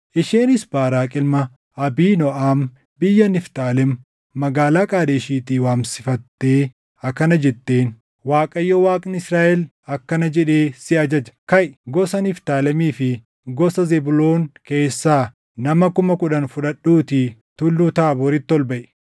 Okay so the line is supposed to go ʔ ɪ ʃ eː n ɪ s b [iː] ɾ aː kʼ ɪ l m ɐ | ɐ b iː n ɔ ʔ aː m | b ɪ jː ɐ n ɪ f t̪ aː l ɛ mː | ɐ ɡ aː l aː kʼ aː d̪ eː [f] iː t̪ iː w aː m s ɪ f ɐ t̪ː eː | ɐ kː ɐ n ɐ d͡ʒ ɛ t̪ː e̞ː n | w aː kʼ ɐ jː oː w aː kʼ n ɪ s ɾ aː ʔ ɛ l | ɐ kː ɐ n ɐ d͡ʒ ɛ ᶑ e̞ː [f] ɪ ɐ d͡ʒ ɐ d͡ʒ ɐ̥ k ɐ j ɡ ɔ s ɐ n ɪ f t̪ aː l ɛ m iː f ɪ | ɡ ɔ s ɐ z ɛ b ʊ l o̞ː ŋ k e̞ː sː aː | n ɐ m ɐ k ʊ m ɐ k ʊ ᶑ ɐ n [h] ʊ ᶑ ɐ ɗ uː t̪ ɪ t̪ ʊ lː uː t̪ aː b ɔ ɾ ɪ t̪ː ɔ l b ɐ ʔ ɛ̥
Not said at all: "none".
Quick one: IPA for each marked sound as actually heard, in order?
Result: aː, ʃ, s, f

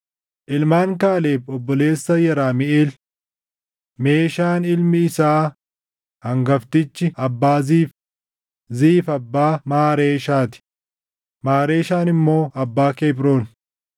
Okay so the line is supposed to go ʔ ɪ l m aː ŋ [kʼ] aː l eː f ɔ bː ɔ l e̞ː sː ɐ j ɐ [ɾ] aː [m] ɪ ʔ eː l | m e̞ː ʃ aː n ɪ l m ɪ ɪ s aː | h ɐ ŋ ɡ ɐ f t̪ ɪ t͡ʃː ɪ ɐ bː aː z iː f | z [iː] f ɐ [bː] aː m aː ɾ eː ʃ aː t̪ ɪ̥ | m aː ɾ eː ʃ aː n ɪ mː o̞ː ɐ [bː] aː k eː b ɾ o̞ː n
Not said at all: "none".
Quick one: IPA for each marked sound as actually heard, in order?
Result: k, ɾ, m, iː, bː, bː

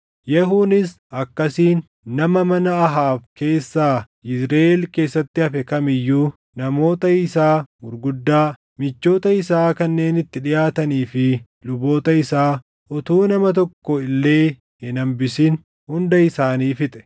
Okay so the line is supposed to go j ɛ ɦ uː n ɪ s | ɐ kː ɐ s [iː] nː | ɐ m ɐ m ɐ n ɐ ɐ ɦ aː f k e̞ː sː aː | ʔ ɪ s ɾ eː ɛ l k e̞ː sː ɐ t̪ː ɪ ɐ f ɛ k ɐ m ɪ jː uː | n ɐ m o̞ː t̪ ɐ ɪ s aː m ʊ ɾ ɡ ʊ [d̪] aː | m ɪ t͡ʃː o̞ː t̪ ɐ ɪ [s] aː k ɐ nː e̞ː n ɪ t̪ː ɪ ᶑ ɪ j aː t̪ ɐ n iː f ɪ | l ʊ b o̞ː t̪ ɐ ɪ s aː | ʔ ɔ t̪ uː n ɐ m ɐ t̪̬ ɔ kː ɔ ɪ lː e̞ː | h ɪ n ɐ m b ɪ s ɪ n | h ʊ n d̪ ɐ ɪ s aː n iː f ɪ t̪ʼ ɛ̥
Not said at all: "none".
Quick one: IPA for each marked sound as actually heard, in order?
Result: iː, d̪ː, s

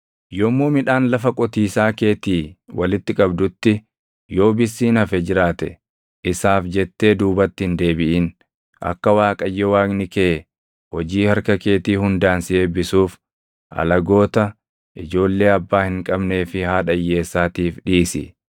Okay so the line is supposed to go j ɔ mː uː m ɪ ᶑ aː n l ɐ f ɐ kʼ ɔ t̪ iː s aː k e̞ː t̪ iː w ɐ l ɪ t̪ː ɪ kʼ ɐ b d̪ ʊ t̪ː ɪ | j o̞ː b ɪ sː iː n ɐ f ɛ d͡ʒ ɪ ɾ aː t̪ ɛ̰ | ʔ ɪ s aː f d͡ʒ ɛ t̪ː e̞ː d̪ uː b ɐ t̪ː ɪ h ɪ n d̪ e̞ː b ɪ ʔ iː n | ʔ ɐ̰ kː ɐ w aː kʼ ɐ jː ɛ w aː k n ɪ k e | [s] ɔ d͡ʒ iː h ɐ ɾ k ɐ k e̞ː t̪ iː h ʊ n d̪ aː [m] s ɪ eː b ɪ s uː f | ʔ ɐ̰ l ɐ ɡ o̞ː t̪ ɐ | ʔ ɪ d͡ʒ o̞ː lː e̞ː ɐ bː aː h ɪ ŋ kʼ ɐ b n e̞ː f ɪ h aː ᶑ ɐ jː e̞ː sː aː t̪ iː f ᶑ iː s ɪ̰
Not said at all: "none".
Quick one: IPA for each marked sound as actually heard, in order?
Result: h, n

